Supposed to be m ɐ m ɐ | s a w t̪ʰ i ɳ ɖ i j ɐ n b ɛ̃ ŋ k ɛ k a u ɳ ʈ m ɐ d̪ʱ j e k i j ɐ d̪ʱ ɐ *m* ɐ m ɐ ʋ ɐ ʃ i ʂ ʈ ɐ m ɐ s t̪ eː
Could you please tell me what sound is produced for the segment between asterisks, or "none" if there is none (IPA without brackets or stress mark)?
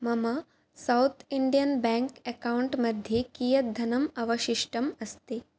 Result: n